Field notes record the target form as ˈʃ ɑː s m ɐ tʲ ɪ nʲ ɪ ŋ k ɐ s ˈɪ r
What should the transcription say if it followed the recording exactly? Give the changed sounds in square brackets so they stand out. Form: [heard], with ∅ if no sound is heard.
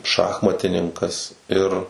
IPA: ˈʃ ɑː [x] m ɐ tʲ ɪ nʲ ɪ ŋ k ɐ s ˈɪ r

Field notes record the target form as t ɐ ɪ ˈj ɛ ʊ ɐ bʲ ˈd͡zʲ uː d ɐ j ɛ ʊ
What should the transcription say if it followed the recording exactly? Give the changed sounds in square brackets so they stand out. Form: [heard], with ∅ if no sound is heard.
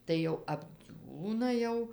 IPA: t ɐ ɪ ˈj ɛ ʊ ɐ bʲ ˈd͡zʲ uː [n] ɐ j ɛ ʊ

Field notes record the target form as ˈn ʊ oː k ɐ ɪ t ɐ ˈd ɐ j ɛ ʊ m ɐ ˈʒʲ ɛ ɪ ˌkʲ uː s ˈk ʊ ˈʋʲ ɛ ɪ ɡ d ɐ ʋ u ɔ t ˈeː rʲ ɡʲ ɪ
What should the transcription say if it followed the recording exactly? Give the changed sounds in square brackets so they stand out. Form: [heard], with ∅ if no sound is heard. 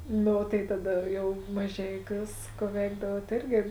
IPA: ˈn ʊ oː [t] ɐ ɪ t ɐ ˈd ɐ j ɛ ʊ m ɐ ˈʒʲ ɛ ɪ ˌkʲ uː s ˈk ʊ ˈʋʲ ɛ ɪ ɡ d ɐ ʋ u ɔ t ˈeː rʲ ɡʲ ɪ

